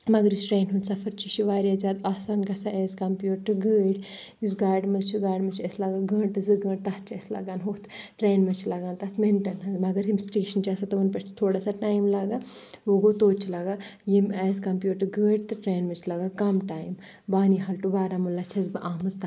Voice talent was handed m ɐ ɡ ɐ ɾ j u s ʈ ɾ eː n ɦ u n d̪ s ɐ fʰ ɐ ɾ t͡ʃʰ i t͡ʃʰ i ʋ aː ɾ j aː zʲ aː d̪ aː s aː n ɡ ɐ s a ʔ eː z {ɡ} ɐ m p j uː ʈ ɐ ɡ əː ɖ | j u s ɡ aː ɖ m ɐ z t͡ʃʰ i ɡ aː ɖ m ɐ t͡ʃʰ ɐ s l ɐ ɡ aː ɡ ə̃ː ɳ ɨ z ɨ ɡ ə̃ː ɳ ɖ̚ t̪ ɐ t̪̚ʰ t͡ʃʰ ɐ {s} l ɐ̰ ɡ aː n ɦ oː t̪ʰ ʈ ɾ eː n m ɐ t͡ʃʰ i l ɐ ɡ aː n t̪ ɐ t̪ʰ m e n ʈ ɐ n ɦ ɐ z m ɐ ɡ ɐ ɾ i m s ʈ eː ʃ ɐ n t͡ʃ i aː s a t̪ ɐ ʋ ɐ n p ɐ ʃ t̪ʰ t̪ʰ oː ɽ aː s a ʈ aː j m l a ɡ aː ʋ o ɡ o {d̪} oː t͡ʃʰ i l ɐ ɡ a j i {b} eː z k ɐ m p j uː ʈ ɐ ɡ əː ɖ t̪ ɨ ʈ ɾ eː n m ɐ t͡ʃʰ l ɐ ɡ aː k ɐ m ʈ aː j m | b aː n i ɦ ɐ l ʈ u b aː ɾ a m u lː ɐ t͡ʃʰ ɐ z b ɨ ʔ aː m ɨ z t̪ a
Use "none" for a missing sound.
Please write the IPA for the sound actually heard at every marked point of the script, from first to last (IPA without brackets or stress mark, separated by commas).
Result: k, s, t̪, m